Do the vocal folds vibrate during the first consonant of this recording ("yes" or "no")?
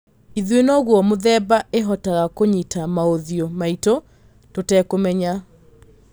yes